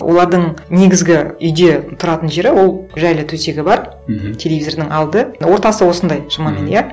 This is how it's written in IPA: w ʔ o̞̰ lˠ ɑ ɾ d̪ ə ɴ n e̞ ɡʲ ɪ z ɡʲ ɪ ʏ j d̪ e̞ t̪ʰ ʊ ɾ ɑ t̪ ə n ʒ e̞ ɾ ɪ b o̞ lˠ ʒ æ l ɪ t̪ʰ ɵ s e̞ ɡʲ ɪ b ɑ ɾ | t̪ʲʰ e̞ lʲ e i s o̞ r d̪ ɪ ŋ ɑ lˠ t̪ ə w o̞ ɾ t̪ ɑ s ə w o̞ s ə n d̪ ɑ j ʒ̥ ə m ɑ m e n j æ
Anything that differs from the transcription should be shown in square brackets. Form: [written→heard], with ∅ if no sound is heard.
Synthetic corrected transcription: w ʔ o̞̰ lˠ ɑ ɾ d̪ ə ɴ n e̞ ɡʲ ɪ z ɡʲ ɪ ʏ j d̪ e̞ t̪ʰ ʊ ɾ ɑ t̪ ə n ʒ e̞ ɾ ɪ [b→w] o̞ lˠ ʒ æ l ɪ t̪ʰ ɵ s e̞ ɡʲ ɪ b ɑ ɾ | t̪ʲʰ e̞ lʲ e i [s→z] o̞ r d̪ ɪ ŋ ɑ lˠ [t̪→d̪] ə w o̞ ɾ t̪ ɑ s ə w o̞ s ə n d̪ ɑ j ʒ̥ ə m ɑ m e n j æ